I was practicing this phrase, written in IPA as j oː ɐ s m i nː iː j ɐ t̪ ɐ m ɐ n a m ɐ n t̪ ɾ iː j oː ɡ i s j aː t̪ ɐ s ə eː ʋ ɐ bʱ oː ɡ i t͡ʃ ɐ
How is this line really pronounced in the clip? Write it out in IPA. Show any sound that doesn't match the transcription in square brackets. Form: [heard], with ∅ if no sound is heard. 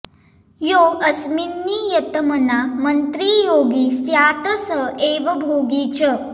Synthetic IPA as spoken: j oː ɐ s m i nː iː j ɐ t̪ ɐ m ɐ n a m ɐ n t̪ ɾ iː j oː ɡ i s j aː t̪ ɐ s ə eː ʋ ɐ bʱ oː ɡ i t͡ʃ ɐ